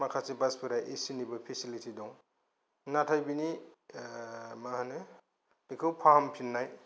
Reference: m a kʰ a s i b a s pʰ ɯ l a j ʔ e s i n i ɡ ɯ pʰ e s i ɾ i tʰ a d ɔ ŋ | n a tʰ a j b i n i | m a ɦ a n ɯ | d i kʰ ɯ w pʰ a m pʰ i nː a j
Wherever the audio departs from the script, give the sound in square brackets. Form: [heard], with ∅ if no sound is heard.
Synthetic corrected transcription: m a kʰ a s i b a s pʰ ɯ [ɾ] a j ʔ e s i n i [b] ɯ pʰ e s i [l] i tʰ [i] d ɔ ŋ | n a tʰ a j b i n i | m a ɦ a n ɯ | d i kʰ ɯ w pʰ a m pʰ i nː a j